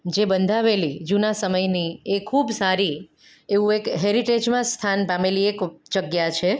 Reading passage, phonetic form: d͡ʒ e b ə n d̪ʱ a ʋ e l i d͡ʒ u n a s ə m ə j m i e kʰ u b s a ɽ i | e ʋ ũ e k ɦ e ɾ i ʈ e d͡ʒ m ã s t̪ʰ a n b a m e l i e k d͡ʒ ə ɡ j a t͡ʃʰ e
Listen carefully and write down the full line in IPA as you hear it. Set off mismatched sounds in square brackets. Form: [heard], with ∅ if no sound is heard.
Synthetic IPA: d͡ʒ e b ə n d̪ʱ a ʋ e l i d͡ʒ u n a s ə m ə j [n] i e kʰ u b s a [ɾ] i | e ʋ ũ e k ɦ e ɾ i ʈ e d͡ʒ m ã s t̪ʰ a n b a m e l i e k d͡ʒ ə ɡ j a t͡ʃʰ e